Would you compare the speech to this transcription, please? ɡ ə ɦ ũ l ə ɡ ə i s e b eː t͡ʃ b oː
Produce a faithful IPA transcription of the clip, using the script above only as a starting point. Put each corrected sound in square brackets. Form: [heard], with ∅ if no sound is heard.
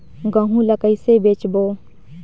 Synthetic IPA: ɡ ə ɦ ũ l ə [k] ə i s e b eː t͡ʃ b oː

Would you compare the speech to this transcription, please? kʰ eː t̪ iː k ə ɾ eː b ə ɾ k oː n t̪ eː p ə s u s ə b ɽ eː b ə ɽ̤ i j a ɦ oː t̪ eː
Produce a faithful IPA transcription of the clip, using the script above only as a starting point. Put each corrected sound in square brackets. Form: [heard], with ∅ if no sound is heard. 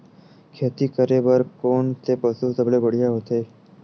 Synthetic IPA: kʰ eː t̪ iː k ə ɾ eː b ə ɾ k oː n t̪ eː p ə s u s ə b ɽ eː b ə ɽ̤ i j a ɦ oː t̪ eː

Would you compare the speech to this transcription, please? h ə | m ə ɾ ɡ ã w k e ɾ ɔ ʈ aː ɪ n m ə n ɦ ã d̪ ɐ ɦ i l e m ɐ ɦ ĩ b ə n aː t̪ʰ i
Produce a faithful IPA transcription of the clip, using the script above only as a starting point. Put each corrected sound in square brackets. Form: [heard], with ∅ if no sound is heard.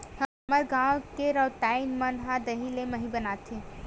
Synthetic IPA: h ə | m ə ɾ ɡ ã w k e ɾ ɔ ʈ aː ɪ n m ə n ɦ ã d̪ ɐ ɦ i l e m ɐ ɦ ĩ b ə n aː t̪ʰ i

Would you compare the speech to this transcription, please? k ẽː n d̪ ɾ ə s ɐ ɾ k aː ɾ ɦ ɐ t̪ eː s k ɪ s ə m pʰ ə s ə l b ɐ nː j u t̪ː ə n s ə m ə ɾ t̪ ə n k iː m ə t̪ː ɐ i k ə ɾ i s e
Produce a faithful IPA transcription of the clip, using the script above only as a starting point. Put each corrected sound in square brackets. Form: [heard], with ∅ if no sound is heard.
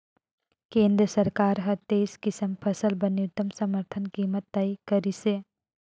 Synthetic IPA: k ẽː n d̪ ɾ ə s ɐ ɾ k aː ɾ ɦ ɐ t̪ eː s k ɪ s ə m pʰ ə s ə l b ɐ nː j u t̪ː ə [m] s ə m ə ɾ [t̪ʰ] ə n k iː m ə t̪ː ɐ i k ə ɾ i s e

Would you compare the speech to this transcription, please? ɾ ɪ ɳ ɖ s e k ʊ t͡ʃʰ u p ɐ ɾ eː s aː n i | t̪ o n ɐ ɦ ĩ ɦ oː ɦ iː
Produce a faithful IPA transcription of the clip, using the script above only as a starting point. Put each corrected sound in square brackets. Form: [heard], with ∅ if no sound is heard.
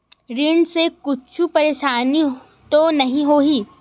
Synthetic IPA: ɾ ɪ ɳ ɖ s e k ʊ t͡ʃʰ u p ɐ ɾ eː [ʃ] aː n i | t̪ o n ɐ ɦ ĩ ɦ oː ɦ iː

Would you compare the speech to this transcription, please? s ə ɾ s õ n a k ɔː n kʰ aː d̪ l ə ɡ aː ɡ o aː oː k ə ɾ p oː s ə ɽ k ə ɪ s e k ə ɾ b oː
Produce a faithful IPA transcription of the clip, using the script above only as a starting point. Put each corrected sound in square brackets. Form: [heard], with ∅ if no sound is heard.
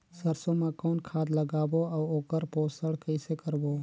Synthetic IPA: s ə ɾ s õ [m] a k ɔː n kʰ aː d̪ l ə ɡ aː [b] o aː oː k ə ɾ p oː s ə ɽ k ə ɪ s e k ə ɾ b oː

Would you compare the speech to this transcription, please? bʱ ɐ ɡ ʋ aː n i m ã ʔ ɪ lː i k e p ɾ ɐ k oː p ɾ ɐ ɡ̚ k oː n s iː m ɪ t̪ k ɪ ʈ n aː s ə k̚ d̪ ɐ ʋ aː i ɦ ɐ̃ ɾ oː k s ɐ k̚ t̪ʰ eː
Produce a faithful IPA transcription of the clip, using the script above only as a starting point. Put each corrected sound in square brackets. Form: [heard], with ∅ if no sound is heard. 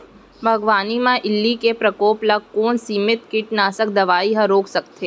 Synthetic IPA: bʱ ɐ ɡ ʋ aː n i m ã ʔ ɪ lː i k e p ɾ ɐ k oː p [l] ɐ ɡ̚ k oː n s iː m ɪ t̪ k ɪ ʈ n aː s ə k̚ d̪ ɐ ʋ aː i ɦ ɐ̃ ɾ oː k s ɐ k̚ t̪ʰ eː

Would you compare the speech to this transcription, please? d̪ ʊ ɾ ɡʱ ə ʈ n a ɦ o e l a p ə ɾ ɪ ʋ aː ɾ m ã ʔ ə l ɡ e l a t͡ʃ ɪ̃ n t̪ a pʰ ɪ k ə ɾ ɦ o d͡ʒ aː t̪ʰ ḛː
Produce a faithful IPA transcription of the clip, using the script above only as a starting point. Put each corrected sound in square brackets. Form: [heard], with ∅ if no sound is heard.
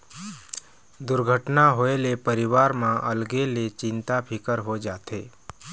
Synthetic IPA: d̪ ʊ ɾ ɡʱ ə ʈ n a ɦ o e l [e] p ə ɾ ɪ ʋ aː ɾ m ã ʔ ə l ɡ e l [e] t͡ʃ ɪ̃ n t̪ a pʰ ɪ k ə ɾ ɦ o d͡ʒ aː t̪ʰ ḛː

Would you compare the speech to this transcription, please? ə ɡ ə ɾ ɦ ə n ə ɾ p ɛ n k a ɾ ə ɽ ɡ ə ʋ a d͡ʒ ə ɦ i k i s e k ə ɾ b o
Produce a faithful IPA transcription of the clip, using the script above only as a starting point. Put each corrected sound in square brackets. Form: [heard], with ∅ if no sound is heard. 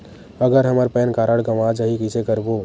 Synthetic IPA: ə ɡ ə ɾ ɦ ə [m] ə ɾ p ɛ n k a ɾ ə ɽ ɡ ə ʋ a d͡ʒ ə ɦ i k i s e k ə ɾ b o

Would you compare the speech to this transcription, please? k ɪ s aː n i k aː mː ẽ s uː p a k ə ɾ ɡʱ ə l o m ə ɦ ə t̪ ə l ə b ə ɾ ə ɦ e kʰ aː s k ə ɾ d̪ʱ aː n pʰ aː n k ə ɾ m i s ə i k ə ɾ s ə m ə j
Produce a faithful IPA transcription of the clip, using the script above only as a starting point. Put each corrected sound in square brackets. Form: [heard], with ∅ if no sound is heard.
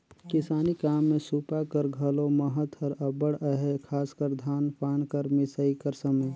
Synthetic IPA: k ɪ s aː n i k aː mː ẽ s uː p a k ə ɾ ɡʱ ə l o m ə ɦ ə t̪ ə [ɾ] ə b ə [ɽ] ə ɦ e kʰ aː s k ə ɾ d̪ʱ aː n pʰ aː n k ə ɾ m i s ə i k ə ɾ s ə m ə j

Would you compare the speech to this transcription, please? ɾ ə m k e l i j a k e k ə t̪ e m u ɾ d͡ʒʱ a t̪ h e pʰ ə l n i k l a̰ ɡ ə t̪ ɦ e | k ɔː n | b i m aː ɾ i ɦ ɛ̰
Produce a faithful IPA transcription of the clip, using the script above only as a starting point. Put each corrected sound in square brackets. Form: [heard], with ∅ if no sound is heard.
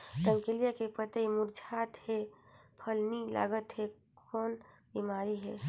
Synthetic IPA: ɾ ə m k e l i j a k e [p] ə t̪ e m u ɾ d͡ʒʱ a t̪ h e pʰ ə l n i [∅] l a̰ ɡ ə t̪ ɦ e | k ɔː n | b i m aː ɾ i ɦ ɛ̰

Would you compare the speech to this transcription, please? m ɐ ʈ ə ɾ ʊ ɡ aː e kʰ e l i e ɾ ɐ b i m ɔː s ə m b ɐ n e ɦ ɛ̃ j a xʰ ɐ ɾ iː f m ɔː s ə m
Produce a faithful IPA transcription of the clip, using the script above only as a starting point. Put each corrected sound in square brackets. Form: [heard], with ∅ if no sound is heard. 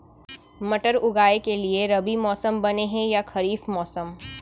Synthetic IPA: m ɐ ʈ ə ɾ ʊ ɡ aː e [k] e l i e ɾ ɐ b i m ɔː s ə m b ɐ n e ɦ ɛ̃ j a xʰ ɐ ɾ iː f m ɔː s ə m

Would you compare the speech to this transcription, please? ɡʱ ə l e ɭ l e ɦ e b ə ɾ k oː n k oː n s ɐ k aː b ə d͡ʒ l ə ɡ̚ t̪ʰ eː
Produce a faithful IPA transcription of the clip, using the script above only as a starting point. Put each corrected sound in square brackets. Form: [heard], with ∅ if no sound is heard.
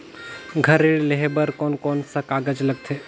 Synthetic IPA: ɡʱ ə [ɾ] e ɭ l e ɦ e b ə ɾ k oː n k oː n s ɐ k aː [ɡ] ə d͡ʒ l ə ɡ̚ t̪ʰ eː

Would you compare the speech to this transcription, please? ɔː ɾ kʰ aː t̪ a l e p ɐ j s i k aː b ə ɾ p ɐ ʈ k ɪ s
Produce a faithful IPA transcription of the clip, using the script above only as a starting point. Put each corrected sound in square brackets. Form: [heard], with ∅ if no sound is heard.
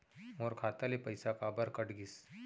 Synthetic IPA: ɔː ɾ kʰ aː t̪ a l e p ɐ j s [a] k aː b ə ɾ [k] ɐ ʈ [ɡ] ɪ s

